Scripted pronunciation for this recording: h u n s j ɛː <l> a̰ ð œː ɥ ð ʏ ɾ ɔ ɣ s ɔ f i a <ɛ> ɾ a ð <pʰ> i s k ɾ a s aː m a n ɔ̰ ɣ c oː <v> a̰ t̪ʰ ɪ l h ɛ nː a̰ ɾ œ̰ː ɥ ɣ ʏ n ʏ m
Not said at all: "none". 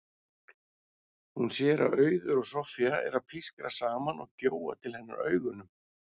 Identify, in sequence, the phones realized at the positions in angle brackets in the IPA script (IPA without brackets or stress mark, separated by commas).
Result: ɾ, ɛ, pʰ, w